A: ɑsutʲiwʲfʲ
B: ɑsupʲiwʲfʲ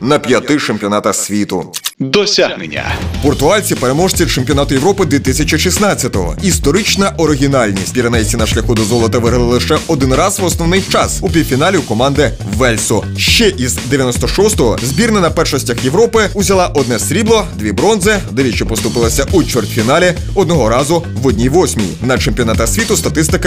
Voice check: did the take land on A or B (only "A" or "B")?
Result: B